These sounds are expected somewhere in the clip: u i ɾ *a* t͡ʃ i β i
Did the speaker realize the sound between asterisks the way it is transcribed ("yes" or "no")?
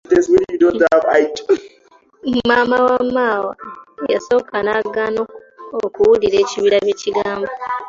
no